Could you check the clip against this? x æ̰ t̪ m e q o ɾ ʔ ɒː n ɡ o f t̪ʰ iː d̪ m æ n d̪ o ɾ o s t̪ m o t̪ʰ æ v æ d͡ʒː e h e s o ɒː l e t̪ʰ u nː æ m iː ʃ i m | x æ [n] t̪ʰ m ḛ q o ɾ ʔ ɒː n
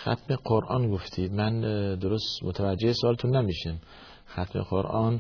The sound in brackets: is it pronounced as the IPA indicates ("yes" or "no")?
no